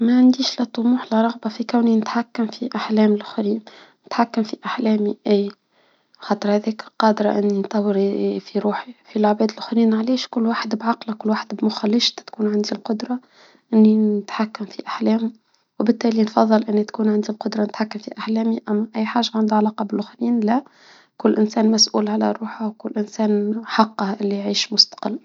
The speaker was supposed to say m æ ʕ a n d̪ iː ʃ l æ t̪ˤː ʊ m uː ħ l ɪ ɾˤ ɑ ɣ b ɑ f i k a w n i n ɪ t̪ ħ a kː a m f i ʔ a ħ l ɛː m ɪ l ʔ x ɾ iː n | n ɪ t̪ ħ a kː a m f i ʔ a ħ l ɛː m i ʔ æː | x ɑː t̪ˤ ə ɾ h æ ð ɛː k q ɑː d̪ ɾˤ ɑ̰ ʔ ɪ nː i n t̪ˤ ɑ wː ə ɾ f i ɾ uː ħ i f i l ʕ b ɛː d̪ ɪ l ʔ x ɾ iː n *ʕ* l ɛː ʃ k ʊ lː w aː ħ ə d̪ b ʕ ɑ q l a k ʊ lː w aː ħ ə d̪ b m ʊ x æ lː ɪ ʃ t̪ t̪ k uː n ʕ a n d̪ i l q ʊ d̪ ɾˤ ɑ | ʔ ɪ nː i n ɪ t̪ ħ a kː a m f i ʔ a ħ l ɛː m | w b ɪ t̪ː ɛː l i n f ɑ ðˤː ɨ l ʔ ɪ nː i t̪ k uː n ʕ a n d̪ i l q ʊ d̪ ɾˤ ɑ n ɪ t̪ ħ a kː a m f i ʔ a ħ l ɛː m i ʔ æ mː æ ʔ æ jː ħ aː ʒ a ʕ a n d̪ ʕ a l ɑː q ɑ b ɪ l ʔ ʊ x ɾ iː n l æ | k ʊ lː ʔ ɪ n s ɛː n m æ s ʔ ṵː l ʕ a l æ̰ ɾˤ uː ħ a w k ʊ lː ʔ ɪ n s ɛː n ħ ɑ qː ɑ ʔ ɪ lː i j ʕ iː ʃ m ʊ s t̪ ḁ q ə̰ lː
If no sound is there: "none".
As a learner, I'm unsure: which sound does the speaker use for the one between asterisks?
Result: ʕ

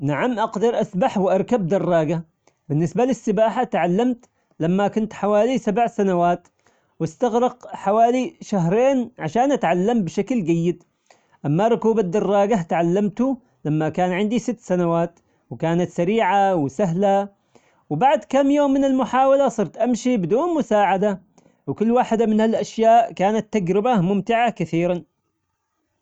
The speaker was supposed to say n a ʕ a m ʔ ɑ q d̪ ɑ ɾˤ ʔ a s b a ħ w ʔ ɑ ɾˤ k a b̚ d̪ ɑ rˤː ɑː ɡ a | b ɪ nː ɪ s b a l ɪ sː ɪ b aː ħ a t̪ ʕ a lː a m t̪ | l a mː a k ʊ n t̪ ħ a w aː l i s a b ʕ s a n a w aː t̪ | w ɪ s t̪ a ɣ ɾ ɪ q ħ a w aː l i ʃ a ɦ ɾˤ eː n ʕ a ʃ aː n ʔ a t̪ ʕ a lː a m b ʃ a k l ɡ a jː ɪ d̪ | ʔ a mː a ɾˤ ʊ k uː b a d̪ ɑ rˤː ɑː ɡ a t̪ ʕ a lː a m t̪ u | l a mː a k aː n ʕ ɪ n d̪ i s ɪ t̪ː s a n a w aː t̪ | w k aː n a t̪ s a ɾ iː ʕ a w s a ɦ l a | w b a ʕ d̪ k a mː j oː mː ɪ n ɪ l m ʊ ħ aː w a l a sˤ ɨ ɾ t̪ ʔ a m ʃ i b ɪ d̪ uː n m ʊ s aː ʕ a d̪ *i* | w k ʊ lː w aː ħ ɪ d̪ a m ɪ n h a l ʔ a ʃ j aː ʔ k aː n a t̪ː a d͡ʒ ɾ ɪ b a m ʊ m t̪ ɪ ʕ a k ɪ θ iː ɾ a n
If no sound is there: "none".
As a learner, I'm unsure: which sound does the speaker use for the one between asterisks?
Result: a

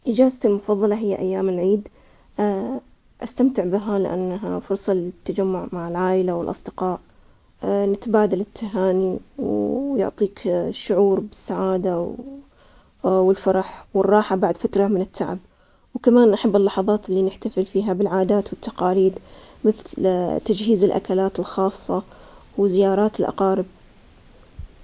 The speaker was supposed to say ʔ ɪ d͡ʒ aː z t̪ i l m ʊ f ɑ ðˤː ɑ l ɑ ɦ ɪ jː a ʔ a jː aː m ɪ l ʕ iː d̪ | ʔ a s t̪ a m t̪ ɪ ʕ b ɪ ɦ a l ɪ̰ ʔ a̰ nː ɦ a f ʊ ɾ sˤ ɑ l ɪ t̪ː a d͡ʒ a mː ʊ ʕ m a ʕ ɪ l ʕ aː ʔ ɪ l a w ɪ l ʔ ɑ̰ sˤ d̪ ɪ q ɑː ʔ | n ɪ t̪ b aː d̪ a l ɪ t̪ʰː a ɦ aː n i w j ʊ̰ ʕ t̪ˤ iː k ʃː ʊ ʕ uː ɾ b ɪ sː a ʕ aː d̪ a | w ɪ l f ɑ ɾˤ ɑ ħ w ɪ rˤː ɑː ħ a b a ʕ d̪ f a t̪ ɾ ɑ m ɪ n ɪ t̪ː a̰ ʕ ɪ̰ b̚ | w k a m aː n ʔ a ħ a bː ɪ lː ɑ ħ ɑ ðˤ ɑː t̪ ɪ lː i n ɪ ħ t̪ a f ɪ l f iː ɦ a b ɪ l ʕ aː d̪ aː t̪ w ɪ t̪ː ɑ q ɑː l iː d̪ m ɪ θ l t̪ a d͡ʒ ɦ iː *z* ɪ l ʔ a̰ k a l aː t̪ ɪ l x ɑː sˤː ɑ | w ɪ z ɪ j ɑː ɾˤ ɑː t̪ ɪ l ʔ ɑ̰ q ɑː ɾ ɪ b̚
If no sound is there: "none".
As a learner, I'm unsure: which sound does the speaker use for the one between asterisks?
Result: z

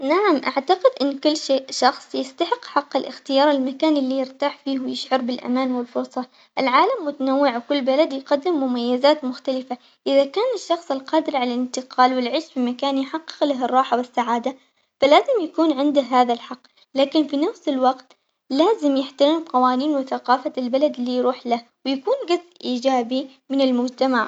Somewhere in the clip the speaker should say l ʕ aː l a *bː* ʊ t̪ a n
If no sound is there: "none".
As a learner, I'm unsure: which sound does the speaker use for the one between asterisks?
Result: mː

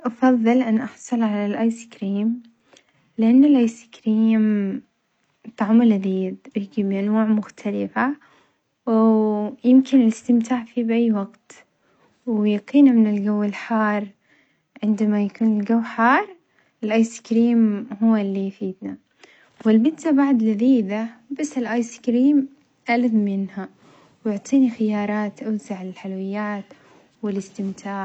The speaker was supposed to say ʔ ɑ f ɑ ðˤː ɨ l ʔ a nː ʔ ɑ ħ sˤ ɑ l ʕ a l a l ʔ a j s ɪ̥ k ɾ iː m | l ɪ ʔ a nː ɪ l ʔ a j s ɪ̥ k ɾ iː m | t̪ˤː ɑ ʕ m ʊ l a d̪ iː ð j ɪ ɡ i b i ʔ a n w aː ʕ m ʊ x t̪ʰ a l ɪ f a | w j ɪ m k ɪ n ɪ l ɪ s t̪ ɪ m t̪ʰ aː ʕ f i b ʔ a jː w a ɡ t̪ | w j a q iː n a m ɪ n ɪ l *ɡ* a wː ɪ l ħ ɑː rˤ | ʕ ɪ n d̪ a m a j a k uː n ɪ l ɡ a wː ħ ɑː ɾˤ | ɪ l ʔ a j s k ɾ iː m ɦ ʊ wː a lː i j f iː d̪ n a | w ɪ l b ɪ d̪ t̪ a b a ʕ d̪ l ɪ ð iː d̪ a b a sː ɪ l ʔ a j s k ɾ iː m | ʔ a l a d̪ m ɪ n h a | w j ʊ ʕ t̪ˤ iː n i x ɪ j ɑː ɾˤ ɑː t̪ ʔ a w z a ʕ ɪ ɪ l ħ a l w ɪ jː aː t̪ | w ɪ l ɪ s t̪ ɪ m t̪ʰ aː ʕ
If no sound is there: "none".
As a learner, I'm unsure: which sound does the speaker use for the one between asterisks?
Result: ɡ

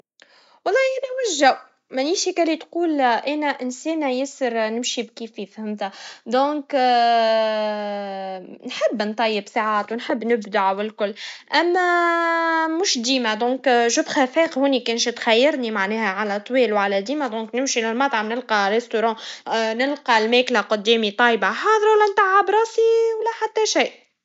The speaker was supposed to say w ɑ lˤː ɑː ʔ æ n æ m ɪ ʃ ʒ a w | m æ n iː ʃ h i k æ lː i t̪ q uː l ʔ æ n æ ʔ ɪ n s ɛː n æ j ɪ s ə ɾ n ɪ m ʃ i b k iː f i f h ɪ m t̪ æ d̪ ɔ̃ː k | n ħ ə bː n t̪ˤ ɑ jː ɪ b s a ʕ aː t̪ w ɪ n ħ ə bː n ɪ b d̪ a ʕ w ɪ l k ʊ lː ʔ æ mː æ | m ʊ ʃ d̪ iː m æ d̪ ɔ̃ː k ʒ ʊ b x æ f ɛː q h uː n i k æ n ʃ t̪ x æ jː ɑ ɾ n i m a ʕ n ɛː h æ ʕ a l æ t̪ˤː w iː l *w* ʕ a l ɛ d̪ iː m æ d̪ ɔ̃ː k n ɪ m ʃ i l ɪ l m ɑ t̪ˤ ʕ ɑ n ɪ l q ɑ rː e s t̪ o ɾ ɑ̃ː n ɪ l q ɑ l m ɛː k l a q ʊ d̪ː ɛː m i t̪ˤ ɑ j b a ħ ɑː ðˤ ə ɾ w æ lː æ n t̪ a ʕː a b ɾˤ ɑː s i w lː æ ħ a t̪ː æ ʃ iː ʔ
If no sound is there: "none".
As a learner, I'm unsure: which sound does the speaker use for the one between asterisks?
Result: w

